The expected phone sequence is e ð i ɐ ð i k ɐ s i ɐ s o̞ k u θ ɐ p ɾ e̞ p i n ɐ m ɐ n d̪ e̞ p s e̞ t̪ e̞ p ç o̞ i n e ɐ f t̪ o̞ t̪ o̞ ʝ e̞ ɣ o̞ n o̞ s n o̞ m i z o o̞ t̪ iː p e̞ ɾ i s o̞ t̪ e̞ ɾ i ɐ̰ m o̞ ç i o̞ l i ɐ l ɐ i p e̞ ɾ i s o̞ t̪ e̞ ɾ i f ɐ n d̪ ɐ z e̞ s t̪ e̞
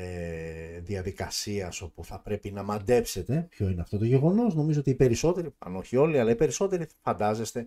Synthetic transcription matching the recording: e ð i ɐ ð i k ɐ s i ɐ s o̞ p u θ ɐ p ɾ e̞ p i n ɐ m ɐ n d̪ e̞ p s e̞ t̪ e̞ p ç o̞ i n e ɐ f t̪ o̞ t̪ o̞ ʝ e̞ ɣ o̞ n o̞ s n o̞ m i z o o̞ t̪ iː p e̞ ɾ i s o̞ t̪ e̞ ɾ i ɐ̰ n o̞ ç i o̞ l i ɐ l ɐ i p e̞ ɾ i s o̞ t̪ e̞ ɾ i f ɐ n d̪ ɐ z e̞ s t̪ e̞